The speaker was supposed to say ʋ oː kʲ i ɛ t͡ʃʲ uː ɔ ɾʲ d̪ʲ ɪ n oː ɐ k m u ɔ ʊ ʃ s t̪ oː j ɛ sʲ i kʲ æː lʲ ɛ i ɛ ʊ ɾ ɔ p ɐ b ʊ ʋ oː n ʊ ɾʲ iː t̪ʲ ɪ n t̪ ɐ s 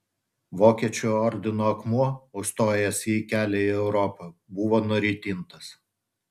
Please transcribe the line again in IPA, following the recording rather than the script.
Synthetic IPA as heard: ʋ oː kʲ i ɛ t͡ʃʲ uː ɔ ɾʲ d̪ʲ ɪ n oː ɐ k m u ɔ ʊ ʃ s t̪ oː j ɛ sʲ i kʲ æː lʲ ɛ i ɛ ʊ ɾ ɔ p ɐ b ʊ ʋ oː n ʊ ɾʲ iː t̪ʲ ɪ n t̪ ɐ s